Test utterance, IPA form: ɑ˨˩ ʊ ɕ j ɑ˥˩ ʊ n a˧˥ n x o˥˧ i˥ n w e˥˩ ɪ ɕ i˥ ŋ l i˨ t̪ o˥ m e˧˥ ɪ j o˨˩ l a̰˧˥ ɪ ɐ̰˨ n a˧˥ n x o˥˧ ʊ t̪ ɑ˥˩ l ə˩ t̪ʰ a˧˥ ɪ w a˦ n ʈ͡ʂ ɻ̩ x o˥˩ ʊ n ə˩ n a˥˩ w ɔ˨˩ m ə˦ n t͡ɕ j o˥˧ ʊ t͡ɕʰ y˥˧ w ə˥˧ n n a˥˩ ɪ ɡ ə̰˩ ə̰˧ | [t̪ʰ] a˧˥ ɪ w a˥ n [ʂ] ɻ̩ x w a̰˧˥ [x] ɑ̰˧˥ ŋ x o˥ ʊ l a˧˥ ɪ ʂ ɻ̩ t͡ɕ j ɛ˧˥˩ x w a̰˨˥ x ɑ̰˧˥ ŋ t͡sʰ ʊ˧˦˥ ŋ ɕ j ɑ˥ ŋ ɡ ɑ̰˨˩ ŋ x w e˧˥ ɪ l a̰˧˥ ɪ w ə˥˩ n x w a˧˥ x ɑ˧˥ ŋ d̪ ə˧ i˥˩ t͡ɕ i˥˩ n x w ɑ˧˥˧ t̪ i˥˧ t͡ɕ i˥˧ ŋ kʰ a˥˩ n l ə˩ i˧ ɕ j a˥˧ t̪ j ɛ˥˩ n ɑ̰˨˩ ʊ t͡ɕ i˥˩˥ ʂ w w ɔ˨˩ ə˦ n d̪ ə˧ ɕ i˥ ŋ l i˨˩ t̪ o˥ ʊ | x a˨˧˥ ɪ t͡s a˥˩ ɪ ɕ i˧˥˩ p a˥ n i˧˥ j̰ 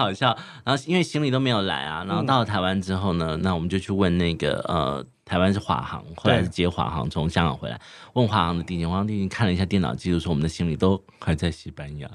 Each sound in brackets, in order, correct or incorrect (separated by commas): correct, correct, correct